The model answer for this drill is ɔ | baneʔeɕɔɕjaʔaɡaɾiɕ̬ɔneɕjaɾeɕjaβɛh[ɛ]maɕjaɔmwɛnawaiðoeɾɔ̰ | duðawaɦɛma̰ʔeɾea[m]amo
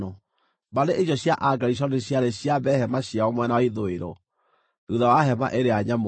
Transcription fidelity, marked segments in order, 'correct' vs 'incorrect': correct, incorrect: ɲ

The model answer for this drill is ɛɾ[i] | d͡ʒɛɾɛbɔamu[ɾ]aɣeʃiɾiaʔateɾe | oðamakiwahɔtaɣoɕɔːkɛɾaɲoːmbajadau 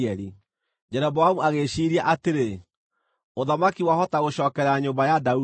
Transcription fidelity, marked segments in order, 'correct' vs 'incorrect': correct, incorrect: none

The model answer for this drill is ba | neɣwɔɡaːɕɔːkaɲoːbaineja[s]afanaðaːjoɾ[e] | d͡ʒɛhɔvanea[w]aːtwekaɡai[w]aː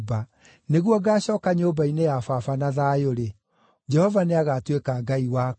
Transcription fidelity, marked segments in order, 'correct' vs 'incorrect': incorrect: f, correct, incorrect: ɣ, correct

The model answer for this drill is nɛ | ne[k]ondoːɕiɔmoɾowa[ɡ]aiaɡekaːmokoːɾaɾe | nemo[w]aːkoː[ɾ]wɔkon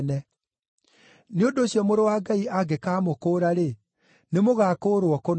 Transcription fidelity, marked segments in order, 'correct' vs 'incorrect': incorrect: none, correct, incorrect: ɣ, correct

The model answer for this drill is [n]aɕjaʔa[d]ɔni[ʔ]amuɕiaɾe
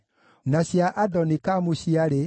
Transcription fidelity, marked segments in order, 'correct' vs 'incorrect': correct, correct, incorrect: k

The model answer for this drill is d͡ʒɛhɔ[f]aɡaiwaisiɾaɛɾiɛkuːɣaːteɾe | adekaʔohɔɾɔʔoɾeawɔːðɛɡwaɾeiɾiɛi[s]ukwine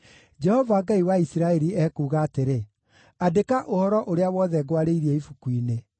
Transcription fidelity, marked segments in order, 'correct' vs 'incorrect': incorrect: v, incorrect: f

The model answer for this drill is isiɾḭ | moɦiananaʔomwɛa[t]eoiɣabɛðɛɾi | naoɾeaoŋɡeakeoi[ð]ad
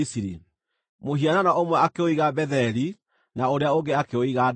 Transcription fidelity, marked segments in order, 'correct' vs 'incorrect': incorrect: k, incorrect: ɣ

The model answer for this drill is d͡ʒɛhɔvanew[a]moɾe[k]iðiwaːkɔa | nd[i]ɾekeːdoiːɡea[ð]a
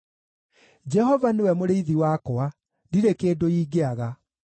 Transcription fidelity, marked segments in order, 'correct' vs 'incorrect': incorrect: ɛ, incorrect: none, correct, incorrect: ɣ

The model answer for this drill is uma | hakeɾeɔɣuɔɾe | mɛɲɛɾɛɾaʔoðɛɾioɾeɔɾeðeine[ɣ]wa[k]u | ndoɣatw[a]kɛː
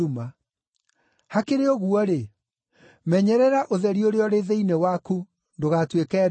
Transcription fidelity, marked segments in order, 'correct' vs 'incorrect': incorrect: none, correct, incorrect: e

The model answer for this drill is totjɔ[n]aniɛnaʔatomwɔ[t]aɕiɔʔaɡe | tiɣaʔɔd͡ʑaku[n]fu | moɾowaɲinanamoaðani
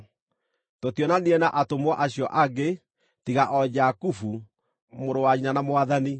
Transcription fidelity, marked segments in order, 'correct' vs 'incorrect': correct, incorrect: ʔ, incorrect: none

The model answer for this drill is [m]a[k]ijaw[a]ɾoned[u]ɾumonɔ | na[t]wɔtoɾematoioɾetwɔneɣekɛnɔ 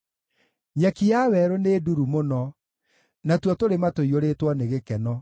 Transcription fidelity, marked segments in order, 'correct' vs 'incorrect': incorrect: ɲ, correct, incorrect: ɛ, correct, correct

